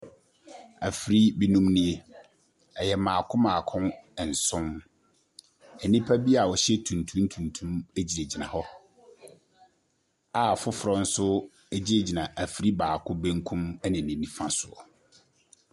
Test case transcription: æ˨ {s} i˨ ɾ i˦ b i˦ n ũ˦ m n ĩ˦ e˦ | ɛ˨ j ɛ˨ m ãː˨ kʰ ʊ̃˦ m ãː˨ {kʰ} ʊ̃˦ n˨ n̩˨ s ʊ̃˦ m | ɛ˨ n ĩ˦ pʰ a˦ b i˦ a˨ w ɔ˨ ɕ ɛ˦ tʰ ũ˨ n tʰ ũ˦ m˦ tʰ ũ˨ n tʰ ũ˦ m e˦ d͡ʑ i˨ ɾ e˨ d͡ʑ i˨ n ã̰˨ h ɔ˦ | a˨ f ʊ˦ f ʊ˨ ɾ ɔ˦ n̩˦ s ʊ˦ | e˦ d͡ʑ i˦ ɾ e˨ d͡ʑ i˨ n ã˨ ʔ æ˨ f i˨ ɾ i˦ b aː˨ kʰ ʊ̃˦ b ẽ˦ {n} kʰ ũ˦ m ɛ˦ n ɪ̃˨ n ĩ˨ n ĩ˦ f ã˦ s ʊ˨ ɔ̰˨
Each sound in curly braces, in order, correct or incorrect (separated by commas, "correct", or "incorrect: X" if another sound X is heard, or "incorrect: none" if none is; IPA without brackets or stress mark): incorrect: f, correct, incorrect: ŋ